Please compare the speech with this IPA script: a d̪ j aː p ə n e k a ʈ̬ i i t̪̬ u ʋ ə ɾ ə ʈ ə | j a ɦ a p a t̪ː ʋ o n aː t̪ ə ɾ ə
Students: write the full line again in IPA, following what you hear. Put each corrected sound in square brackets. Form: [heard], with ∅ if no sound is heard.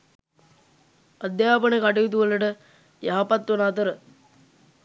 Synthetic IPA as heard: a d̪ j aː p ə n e k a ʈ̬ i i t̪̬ u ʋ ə [l] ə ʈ ə | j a ɦ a p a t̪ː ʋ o n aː t̪ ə ɾ ə